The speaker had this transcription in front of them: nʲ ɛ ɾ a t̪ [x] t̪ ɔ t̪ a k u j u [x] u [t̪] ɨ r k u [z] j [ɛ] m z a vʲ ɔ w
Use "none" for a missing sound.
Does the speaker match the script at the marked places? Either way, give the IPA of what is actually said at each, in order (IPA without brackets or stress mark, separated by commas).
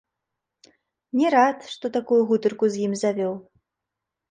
ʂ, ɣ, t̪, z, i